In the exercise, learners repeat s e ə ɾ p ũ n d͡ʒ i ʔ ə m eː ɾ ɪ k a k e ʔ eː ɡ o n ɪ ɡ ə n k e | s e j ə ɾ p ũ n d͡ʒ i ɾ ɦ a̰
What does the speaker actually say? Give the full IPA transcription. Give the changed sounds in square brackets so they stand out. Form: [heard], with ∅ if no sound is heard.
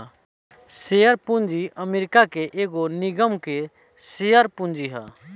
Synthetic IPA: s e ə ɾ p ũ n d͡ʒ i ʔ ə m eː ɾ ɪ k a k e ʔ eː ɡ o n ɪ ɡ ə [m] k e | s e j ə ɾ p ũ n d͡ʒ i [∅] ɦ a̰